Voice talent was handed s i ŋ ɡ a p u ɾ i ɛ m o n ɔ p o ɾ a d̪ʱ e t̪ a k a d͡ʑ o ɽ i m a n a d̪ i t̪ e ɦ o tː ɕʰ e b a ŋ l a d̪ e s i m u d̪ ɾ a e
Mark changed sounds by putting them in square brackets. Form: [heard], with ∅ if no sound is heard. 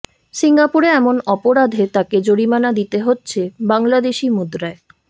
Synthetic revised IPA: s i ŋ ɡ a p u ɾ [e] ɛ m o n ɔ p o ɾ a d̪ʱ e t̪ a k [e] d͡ʑ o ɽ i m a n a d̪ i t̪ e ɦ o tː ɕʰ e b a ŋ l a d̪ e [ʃ] i m u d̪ ɾ a e